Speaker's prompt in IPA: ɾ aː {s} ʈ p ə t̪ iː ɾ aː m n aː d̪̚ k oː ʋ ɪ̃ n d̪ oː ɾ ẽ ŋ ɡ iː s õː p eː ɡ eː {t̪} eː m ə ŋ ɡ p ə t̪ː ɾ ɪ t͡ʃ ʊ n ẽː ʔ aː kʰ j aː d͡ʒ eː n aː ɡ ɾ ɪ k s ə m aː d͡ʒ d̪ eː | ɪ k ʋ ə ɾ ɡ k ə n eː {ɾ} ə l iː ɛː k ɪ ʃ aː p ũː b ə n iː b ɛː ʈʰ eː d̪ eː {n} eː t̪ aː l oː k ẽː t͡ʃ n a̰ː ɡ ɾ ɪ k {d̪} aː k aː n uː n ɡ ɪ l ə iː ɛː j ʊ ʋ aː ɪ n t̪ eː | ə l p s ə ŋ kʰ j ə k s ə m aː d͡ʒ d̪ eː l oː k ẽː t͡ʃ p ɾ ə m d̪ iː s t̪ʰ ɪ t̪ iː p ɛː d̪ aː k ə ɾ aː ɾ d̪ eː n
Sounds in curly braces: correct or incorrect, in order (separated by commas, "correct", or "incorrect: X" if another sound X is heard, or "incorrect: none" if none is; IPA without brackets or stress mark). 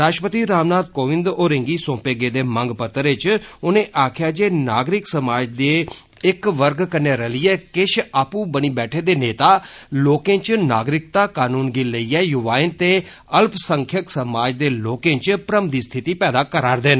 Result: incorrect: ʃ, incorrect: d̪, correct, correct, incorrect: t̪